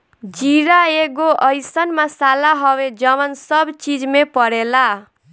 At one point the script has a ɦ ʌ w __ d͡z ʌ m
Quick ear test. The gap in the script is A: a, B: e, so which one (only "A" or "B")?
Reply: B